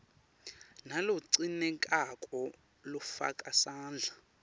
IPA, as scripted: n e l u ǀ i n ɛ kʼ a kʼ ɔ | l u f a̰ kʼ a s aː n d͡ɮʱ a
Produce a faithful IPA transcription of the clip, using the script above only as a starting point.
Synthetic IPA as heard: n a l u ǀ i n ɛ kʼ a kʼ ɔ | l u f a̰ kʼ a s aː n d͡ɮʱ a